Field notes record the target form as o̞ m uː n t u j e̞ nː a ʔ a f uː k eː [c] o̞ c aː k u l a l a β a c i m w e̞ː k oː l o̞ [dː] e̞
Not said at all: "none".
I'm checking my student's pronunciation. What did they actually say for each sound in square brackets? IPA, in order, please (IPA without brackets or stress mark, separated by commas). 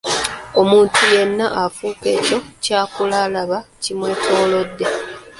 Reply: c, dː